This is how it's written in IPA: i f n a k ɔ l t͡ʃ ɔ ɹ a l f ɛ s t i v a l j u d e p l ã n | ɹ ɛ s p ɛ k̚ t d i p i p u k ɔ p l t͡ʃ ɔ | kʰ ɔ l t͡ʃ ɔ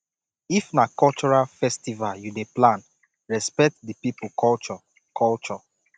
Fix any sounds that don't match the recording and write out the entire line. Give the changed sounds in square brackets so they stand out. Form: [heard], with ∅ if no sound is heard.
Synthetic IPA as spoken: i f n a k ɔ l t͡ʃ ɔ ɹ a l f ɛ s t i v a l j u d e p l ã n | ɹ ɛ s p ɛ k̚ t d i p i p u k ɔ [∅] l t͡ʃ ɔ | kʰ ɔ l t͡ʃ ɔ